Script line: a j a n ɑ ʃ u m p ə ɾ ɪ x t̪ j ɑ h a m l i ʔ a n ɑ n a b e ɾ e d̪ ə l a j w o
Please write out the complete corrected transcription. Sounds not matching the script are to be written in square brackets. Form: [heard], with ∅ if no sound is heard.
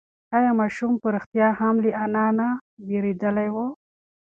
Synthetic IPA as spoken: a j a [m] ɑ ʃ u m p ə ɾ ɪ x t̪ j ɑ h a m l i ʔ a n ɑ n a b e ɾ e d̪ ə l a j w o